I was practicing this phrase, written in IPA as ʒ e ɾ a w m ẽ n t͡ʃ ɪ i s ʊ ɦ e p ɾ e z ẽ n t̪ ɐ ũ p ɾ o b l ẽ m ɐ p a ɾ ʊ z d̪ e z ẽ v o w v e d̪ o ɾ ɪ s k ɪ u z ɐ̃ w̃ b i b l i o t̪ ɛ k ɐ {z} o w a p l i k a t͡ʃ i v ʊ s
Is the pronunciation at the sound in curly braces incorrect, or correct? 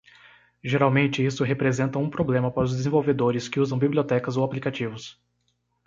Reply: correct